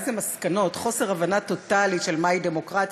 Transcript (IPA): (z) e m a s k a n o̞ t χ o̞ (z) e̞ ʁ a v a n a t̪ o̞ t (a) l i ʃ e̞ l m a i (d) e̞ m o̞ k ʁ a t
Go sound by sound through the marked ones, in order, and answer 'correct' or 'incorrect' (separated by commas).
correct, incorrect, correct, correct